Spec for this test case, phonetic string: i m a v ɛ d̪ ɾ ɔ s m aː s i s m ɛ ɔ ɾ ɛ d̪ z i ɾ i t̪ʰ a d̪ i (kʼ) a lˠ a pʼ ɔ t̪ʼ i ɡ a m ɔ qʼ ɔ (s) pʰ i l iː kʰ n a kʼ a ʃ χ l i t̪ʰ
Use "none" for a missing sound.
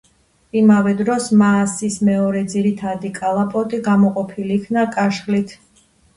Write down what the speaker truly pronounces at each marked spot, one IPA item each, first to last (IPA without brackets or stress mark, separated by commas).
kʼ, none